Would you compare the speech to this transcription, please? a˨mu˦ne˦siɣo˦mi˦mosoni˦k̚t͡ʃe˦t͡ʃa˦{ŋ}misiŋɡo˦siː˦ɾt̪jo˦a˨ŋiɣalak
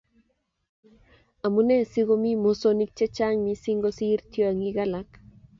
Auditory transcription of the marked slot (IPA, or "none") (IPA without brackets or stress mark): ŋ